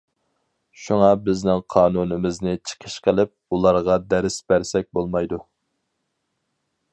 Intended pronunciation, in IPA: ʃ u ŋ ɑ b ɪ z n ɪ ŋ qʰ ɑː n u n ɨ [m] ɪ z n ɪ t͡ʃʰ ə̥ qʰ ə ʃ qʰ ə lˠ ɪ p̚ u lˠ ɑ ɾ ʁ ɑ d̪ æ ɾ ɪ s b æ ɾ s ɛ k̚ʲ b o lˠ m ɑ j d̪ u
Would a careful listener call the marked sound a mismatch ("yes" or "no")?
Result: no